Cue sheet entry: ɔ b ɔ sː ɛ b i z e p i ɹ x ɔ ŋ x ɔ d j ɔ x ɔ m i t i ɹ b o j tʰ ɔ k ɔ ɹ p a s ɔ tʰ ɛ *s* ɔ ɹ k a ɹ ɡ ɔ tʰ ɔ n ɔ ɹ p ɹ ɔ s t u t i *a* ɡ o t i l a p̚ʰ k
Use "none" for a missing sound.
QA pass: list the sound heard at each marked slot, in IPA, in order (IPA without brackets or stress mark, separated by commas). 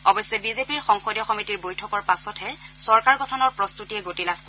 s, ɛ